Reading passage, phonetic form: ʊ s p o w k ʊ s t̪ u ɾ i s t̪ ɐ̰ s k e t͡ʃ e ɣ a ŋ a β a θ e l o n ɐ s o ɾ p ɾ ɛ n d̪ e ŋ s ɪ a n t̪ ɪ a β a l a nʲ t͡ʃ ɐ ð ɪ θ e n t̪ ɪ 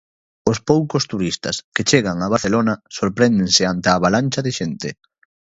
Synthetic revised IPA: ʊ s p o w k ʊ s t̪ u ɾ i s t̪ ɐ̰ s k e t͡ʃ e ɣ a ŋ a β a θ e l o n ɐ s o ɾ p ɾ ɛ n d̪ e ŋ s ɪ a n t̪ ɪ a β a l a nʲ t͡ʃ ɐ ð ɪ ʃ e n t̪ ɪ